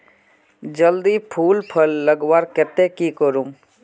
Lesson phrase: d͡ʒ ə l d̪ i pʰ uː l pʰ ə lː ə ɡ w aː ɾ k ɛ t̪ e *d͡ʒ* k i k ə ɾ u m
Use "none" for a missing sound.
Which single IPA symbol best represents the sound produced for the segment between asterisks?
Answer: none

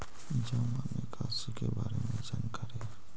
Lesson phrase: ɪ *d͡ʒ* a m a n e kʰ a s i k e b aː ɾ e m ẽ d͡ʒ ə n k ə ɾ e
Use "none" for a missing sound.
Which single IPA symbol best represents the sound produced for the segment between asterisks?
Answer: d͡ʒ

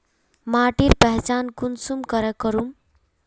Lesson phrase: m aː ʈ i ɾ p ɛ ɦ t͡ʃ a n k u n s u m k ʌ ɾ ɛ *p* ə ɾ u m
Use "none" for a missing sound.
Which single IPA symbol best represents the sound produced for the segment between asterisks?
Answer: k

